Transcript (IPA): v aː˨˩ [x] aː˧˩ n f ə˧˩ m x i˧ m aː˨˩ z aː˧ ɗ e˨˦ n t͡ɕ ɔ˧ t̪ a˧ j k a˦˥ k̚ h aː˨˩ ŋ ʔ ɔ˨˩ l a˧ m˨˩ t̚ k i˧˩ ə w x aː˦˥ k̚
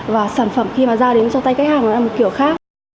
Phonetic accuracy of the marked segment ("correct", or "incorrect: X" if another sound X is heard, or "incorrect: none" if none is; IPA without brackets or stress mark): incorrect: s